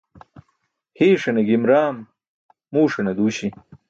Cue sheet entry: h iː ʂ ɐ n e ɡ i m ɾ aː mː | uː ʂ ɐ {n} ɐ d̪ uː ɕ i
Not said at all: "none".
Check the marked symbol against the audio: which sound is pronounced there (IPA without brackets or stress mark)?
n